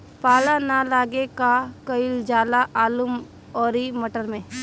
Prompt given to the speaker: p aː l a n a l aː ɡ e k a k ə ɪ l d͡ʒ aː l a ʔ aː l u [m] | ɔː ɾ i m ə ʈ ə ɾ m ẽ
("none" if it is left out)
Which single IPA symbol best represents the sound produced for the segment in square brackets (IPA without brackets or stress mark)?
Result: m